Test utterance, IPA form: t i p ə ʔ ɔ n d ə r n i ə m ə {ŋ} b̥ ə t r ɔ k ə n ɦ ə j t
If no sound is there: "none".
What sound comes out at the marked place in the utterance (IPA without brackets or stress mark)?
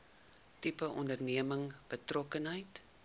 ŋ